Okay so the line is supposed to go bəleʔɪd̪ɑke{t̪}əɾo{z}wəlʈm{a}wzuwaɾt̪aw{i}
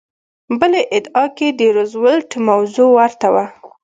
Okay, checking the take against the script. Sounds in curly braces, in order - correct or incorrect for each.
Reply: incorrect, correct, correct, incorrect

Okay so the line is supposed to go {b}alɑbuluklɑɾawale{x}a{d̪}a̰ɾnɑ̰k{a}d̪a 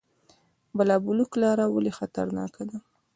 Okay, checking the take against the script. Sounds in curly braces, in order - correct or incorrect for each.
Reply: correct, correct, incorrect, correct

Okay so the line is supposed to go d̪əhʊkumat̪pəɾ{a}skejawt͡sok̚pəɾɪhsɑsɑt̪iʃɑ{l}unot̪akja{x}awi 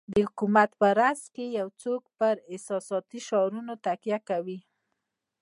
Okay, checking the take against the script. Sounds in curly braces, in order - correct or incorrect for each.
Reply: correct, incorrect, incorrect

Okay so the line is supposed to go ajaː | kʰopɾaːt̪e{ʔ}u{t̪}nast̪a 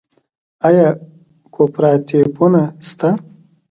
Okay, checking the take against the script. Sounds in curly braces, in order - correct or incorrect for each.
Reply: incorrect, incorrect

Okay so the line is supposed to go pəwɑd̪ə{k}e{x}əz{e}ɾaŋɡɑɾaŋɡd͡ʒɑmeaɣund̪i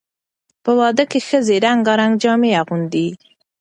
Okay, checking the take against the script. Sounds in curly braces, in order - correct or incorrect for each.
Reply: correct, correct, correct

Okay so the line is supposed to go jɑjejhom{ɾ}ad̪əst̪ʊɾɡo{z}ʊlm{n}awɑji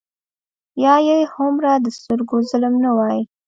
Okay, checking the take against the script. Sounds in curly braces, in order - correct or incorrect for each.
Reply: correct, correct, correct

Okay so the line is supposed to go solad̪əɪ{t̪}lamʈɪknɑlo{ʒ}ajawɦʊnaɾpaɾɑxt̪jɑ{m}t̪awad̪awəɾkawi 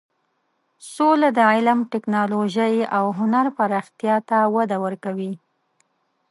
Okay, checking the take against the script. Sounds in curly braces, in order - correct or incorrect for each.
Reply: incorrect, correct, incorrect

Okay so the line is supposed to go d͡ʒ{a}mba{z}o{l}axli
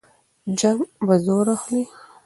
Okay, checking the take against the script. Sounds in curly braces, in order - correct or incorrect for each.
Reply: correct, correct, incorrect

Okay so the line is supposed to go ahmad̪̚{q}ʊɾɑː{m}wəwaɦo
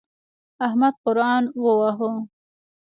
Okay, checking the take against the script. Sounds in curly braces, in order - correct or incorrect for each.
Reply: correct, incorrect

